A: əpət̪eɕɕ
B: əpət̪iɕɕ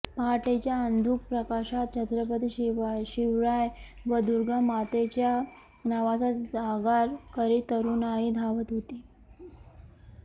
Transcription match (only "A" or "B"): B